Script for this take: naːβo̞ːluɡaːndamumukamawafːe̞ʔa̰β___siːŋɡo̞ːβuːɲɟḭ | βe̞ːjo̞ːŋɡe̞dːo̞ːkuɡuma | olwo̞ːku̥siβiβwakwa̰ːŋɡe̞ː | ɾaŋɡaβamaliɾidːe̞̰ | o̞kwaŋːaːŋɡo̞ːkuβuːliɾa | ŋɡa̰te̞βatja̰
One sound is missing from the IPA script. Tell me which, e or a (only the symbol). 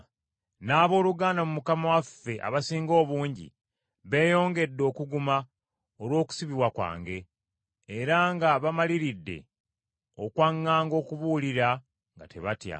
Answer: a